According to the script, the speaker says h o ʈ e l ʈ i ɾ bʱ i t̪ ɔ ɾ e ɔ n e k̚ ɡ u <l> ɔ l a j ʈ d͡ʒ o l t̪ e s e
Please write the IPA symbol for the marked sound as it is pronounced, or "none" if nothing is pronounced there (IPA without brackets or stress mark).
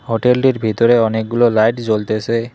l